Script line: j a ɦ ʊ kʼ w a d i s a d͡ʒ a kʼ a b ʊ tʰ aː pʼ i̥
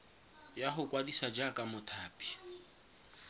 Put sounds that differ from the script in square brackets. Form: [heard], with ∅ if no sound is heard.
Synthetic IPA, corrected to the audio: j a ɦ ʊ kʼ w a d i s a d͡ʒ a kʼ a [m] ʊ tʰ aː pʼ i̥